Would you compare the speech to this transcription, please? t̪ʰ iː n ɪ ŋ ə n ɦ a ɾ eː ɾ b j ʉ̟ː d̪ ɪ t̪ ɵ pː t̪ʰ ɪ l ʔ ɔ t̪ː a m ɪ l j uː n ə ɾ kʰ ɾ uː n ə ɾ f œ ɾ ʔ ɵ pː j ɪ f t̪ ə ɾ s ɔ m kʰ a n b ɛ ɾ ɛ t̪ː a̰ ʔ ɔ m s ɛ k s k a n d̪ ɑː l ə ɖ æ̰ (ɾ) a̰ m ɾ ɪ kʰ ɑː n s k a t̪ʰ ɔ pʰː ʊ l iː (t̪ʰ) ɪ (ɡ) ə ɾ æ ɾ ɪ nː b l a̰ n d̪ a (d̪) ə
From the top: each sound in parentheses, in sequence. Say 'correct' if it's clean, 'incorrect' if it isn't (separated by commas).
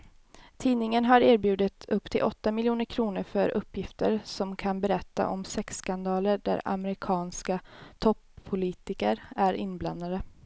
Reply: correct, incorrect, incorrect, correct